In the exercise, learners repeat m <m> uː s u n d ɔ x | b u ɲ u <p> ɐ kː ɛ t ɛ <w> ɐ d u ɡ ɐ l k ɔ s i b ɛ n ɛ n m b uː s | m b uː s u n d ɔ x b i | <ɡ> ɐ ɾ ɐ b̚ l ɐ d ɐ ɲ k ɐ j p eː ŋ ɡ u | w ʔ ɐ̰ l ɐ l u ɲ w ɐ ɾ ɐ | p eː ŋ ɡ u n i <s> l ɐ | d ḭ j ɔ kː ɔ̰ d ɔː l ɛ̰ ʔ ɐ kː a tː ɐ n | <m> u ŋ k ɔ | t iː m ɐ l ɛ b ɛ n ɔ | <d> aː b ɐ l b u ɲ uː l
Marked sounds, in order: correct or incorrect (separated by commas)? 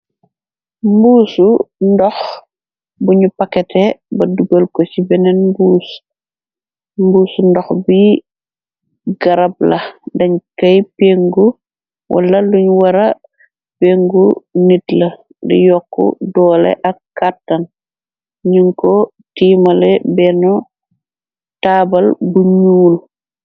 incorrect, correct, incorrect, correct, incorrect, incorrect, incorrect